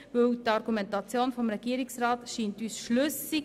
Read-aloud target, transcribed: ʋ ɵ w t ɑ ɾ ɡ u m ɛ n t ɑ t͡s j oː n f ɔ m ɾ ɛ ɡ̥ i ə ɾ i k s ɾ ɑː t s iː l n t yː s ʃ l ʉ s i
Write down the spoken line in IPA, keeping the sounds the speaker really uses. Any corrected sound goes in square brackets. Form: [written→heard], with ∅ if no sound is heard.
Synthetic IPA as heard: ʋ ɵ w t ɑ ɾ ɡ u m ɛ n t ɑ t͡s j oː n f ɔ m ɾ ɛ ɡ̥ i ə ɾ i k s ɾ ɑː t [s→ʃ] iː [l→∅] n t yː s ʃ l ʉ s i